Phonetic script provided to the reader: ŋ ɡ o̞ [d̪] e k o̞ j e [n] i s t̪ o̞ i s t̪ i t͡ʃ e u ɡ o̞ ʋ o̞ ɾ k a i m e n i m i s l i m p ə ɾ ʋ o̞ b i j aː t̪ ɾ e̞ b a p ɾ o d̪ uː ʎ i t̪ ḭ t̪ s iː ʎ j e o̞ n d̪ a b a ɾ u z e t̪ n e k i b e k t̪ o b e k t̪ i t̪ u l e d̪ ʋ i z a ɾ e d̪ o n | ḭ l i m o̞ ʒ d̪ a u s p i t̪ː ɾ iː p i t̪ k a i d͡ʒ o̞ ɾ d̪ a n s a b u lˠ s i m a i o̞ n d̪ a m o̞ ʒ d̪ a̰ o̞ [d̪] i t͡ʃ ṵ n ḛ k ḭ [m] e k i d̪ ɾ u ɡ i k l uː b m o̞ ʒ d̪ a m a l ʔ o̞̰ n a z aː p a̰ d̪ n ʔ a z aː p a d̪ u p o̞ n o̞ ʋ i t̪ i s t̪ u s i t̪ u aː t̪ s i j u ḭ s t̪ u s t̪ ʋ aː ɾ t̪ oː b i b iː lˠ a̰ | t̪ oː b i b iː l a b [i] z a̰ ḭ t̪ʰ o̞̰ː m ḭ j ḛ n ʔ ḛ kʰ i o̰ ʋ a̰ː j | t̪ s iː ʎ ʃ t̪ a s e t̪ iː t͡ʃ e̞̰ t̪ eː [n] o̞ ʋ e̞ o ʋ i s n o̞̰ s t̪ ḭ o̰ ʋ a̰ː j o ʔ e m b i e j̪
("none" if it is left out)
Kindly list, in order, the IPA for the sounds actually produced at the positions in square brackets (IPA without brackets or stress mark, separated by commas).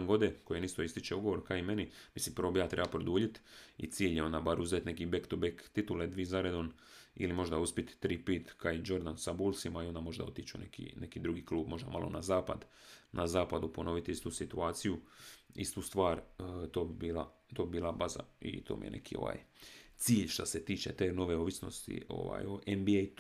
d̪, n, t̪, n, a, n